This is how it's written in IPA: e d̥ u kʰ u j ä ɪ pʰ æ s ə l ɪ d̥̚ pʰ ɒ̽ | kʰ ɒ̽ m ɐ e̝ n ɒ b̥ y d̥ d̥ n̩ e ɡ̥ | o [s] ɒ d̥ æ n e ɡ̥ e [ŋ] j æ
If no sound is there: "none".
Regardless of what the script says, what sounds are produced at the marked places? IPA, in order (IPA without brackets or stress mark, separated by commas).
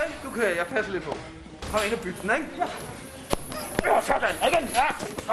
s, n